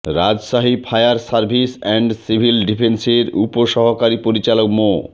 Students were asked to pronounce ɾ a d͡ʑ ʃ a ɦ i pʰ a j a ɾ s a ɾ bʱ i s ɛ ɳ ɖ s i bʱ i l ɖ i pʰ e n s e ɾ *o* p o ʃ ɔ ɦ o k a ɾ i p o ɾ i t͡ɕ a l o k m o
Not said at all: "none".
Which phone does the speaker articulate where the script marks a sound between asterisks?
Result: u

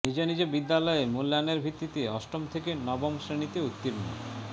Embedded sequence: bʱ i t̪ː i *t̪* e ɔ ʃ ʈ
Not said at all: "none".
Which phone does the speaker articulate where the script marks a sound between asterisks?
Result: t̪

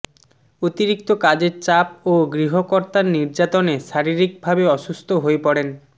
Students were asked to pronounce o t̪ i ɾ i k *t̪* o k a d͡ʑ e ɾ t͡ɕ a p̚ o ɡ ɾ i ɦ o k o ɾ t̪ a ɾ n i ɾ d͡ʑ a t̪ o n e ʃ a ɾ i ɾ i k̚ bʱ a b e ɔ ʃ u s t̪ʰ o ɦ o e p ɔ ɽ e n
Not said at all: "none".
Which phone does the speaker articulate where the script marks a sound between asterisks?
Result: t̪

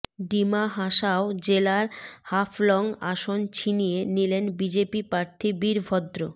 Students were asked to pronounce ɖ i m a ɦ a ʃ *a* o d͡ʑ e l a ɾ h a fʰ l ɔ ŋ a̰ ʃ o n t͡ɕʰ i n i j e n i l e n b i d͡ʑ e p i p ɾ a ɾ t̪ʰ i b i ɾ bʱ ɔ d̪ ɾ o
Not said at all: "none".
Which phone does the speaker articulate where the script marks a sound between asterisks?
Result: a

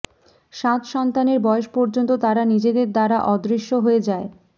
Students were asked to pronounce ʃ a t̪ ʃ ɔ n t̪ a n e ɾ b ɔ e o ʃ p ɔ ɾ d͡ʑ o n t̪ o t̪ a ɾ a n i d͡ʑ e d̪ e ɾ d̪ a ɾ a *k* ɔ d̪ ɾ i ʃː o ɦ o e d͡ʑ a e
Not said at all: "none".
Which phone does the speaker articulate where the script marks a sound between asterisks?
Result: ʔ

